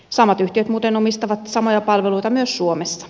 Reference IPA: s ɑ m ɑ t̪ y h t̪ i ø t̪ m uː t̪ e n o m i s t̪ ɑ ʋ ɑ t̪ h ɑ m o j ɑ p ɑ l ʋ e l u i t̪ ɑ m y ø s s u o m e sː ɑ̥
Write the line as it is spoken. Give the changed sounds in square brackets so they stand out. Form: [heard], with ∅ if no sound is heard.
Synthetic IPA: s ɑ m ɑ t̪ y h t̪ i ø t̪ m uː t̪ e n o m i s t̪ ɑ ʋ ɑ t̪ [s] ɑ m o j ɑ p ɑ l ʋ e l u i t̪ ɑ m y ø s s u o m e sː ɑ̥